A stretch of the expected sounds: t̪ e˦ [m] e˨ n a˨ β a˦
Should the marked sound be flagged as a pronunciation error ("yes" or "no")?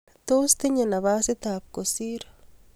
yes